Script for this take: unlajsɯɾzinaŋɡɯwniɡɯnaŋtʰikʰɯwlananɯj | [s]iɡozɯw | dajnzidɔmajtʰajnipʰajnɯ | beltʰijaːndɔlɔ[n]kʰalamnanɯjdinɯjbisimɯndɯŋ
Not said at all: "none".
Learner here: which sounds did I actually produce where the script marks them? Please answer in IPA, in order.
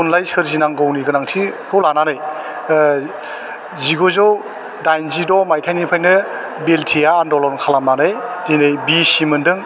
z, n

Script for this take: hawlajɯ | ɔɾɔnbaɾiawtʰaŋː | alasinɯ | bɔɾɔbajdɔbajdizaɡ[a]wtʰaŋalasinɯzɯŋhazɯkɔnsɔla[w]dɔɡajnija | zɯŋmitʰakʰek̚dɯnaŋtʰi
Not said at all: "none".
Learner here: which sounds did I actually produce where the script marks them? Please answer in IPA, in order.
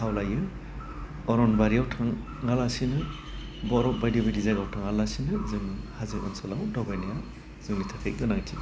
a, w

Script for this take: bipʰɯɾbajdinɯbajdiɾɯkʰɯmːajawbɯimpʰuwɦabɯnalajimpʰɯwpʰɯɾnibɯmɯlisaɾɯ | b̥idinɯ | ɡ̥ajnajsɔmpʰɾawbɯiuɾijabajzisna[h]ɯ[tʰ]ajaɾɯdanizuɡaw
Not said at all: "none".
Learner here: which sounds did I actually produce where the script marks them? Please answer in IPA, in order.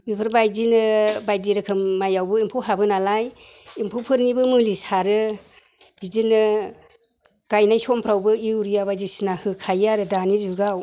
h, kʰ

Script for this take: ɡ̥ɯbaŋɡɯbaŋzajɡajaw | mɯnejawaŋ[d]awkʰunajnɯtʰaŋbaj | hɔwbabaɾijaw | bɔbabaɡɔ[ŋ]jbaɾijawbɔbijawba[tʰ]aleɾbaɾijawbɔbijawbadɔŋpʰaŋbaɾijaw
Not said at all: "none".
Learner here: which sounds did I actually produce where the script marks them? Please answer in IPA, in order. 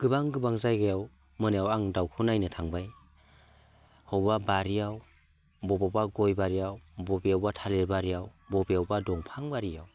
d, none, tʰ

